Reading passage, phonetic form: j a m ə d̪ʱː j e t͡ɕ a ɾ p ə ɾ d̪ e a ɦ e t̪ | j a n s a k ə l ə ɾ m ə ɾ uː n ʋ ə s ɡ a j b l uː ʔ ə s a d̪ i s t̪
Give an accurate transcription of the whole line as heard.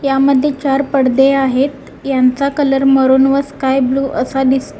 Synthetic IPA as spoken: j a m ə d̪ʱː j e t͡ɕ a ɾ p ə ɽ d̪ e a ɦ e t̪ | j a n t͡s a k ə l ə ɾ m ə ɾ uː n ʋ ə s k a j b l uː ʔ ə s a d̪ i s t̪